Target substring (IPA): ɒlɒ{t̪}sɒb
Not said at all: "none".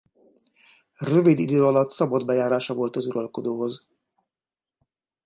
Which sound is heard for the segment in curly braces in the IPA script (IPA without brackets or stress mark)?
t̪